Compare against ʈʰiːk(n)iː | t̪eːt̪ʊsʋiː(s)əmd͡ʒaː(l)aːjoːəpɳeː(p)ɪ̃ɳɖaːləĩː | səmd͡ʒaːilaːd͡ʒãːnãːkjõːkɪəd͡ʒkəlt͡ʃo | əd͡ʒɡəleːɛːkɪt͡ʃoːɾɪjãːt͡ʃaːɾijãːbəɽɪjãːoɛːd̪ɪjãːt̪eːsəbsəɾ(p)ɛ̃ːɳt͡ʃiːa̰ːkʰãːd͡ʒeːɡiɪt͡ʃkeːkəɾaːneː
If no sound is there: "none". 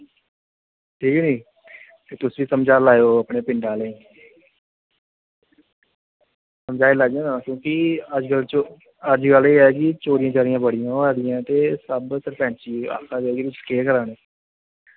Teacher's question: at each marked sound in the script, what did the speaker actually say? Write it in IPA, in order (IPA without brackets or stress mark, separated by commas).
n, s, l, p, p